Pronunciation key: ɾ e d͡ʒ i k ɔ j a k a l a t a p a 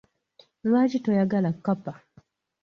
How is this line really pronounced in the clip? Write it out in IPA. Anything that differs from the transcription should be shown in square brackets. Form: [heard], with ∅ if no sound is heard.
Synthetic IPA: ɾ [a] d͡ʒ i [t] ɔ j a [ɡ] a l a [k] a p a